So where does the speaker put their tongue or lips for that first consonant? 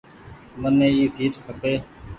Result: lips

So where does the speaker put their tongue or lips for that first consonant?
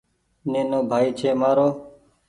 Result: tongue tip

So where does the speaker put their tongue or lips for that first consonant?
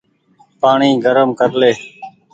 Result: lips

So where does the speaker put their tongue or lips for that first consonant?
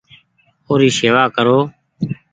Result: tongue tip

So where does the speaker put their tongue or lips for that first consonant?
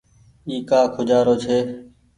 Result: velum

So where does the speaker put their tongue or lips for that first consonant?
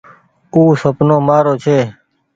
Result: tongue tip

